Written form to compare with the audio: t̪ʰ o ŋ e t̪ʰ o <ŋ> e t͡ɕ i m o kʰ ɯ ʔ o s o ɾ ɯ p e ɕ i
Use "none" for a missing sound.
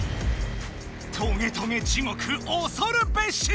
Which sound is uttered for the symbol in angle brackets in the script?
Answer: ŋ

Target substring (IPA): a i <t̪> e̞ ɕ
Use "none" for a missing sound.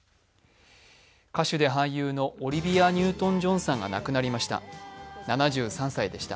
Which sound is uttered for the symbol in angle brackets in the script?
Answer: d̪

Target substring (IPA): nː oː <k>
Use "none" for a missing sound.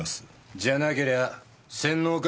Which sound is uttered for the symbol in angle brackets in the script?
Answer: k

